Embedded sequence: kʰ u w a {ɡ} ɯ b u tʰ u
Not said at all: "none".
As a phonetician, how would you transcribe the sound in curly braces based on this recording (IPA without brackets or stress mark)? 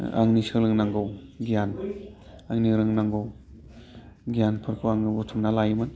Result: ŋ